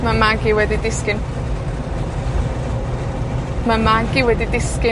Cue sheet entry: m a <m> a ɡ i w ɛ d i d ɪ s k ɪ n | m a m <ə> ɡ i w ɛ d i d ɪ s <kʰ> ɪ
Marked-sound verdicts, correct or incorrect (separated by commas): correct, incorrect, incorrect